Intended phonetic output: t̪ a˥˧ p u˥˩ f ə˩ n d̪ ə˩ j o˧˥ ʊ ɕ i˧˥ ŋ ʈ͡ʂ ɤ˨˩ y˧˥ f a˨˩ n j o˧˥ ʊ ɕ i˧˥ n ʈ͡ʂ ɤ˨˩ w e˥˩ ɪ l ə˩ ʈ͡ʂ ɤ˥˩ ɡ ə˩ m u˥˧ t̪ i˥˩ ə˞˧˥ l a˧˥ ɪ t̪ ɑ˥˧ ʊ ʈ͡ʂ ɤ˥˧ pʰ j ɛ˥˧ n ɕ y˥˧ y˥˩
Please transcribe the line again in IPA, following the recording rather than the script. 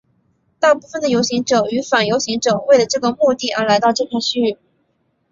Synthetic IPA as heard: t̪ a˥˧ p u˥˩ f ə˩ n d̪ ə˩ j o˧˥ ʊ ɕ i˧˥ ŋ ʈ͡ʂ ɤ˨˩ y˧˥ f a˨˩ n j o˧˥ ʊ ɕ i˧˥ ŋ ʈ͡ʂ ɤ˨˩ w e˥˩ ɪ l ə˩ ʈ͡ʂ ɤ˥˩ ɡ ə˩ m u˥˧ t̪ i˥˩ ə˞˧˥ l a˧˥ ɪ t̪ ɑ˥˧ ʊ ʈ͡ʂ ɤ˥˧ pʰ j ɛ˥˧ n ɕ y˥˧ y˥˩

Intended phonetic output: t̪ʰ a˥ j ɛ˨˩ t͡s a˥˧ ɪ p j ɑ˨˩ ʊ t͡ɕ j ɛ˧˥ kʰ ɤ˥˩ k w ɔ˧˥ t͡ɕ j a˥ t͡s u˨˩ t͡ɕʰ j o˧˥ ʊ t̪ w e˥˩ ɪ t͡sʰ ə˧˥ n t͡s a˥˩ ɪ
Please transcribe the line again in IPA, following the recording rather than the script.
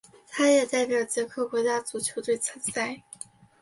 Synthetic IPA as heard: t̪ʰ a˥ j ɛ˨˩ t͡s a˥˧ ɪ p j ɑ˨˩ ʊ t͡ɕ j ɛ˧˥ kʰ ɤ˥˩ k w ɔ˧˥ t͡ɕ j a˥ t͡s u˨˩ t͡ɕʰ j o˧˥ ʊ t̪ w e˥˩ ɪ t͡sʰ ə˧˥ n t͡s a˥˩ ɪ

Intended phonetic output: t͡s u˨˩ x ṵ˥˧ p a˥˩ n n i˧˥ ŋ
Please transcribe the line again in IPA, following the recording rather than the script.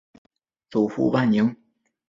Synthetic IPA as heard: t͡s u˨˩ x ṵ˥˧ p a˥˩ n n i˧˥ ŋ

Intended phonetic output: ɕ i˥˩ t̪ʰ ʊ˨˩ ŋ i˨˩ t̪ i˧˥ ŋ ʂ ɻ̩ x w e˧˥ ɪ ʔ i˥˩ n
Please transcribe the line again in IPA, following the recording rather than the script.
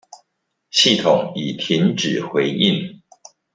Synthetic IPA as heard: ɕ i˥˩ t̪ʰ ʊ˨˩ ŋ i˨˩ t̪ʰ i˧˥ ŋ ʈ͡ʂ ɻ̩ x w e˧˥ ɪ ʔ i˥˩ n

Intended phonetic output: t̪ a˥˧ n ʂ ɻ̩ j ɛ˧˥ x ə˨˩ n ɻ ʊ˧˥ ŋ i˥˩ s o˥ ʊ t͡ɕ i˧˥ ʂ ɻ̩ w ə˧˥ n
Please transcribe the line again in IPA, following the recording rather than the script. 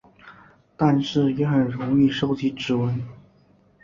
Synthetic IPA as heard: t̪ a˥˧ n ʂ ɻ̩ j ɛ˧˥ x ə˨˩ n ɻ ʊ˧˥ ŋ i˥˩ ʂ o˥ ʊ t͡ɕ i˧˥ ʈ͡ʂ ɻ̩ w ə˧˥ n

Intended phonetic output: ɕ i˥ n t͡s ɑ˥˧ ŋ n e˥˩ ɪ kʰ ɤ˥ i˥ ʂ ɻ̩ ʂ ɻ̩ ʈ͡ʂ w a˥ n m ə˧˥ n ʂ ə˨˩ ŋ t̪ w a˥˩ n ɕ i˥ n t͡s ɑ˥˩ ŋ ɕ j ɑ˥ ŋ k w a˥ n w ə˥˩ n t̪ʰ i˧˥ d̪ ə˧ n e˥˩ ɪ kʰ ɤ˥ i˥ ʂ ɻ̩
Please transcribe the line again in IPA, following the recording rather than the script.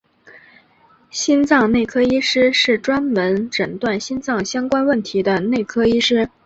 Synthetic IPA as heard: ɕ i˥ n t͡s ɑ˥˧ ŋ n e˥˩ ɪ kʰ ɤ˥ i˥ ʂ ɻ̩ ʂ ɻ̩ ʈ͡ʂ w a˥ n m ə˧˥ n ʈ͡ʂ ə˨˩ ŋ t̪ w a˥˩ n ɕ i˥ n t͡s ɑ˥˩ ŋ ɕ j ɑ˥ ŋ k w a˥ n w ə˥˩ n t̪ʰ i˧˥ d̪ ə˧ n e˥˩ ɪ kʰ ɤ˥ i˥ ʂ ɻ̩

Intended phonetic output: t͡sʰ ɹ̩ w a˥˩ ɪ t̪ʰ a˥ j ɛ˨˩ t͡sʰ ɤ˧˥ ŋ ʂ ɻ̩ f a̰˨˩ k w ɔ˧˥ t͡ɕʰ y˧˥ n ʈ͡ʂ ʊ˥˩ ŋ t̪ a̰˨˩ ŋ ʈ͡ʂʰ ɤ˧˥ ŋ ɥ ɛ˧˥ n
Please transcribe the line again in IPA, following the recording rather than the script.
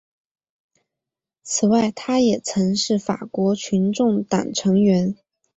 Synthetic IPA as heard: t͡sʰ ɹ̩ w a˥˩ ɪ t̪ʰ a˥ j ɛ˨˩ t͡sʰ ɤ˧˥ ŋ ʂ ɻ̩ f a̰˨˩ k w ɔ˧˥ t͡ɕʰ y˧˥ n ʈ͡ʂ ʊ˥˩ ŋ t̪ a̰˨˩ ŋ ʈ͡ʂʰ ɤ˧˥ ŋ ɥ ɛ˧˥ n

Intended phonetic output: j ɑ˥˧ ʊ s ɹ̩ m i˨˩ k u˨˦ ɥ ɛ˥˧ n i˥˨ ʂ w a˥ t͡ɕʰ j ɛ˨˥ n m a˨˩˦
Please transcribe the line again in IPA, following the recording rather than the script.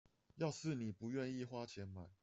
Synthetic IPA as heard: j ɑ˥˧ ʊ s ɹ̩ n i˨˩ p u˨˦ ɥ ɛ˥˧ n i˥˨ x w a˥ t͡ɕʰ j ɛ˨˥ n m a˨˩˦

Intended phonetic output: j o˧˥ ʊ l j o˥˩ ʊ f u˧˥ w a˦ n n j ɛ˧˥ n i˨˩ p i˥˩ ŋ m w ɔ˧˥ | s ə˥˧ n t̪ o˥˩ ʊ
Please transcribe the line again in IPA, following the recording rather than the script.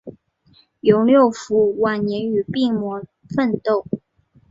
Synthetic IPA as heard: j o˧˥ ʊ l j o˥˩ ʊ f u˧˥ w a˨˩ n n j ɛ˧˥ n y˨˩ p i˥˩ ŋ m w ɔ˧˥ | f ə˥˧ n t̪ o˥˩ ʊ

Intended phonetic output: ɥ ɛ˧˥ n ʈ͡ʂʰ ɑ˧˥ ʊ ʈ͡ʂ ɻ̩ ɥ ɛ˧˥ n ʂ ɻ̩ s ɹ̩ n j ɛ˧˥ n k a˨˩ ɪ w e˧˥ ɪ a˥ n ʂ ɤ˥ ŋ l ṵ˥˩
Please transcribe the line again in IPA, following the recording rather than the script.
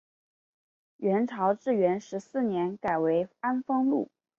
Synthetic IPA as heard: ɥ ɛ˧˥ n ʈ͡ʂʰ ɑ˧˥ ʊ ʈ͡ʂ ɻ̩ ɥ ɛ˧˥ n ʂ ɻ̩ s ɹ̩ n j ɛ˧˥ n k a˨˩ ɪ w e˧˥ ɪ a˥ n f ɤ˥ ŋ l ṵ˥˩

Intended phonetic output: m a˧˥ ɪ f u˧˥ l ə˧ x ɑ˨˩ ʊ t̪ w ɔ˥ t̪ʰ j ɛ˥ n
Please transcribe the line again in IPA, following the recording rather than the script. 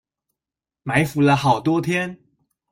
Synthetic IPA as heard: m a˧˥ ɪ f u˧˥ l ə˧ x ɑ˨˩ ʊ t̪ w ɔ˥ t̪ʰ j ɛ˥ n

